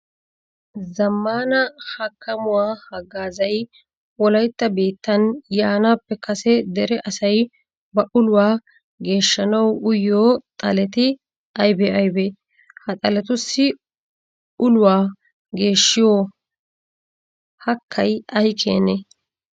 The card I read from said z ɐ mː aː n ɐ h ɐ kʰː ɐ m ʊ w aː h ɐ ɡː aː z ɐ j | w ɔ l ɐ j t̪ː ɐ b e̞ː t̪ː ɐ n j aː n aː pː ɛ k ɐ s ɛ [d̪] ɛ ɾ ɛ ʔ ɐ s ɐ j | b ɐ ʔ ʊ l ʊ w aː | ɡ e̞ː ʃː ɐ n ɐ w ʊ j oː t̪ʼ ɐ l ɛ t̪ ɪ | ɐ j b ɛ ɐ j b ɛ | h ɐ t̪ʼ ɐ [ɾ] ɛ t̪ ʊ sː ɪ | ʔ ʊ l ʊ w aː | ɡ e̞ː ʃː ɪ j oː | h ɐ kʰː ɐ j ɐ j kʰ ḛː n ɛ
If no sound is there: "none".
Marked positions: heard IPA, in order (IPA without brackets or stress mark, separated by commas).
d̪, l